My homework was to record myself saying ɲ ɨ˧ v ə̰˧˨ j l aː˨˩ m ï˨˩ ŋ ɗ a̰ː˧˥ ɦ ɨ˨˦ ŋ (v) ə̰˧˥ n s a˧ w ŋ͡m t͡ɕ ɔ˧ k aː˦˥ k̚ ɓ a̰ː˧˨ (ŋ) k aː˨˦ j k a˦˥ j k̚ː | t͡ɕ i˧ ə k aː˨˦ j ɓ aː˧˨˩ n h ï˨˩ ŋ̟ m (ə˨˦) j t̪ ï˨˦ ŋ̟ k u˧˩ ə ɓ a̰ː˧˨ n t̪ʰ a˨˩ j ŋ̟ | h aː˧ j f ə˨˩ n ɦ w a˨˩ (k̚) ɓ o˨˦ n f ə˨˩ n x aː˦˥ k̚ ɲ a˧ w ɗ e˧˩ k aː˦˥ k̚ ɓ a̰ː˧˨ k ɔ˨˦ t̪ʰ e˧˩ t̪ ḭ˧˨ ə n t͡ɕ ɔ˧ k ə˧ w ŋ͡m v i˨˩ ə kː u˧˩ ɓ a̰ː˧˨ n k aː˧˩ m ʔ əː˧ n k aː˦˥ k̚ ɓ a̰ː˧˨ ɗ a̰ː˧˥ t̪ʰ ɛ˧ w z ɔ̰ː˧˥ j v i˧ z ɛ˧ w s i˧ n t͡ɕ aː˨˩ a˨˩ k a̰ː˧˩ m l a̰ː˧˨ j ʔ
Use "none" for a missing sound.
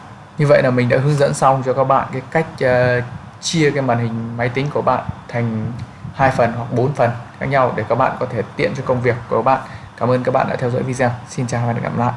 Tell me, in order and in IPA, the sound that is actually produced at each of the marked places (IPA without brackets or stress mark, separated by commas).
z, n, a˨˦, k̚